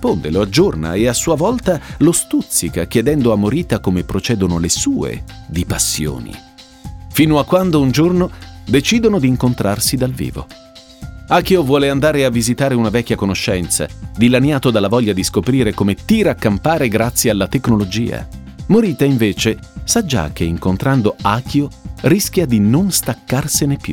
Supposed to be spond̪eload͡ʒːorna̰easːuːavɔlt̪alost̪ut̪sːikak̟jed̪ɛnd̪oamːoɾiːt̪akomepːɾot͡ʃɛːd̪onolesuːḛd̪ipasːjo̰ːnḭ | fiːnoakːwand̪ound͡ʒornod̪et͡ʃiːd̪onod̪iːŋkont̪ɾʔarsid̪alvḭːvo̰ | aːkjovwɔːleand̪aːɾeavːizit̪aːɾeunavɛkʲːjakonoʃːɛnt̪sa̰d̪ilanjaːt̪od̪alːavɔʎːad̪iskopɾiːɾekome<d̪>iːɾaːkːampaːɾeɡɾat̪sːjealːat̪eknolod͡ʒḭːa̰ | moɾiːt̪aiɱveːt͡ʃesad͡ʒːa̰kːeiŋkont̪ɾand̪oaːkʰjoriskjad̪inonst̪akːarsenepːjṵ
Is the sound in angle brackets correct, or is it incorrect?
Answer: incorrect